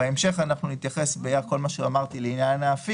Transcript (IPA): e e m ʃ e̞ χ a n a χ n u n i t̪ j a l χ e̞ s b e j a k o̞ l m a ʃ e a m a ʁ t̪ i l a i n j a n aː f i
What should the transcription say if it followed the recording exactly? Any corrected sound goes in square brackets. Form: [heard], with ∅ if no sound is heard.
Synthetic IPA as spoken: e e m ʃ e̞ χ a n a χ n u n i t̪ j a [∅] χ e̞ s b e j a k o̞ l m a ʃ e a m a ʁ t̪ i l [e] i n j a n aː f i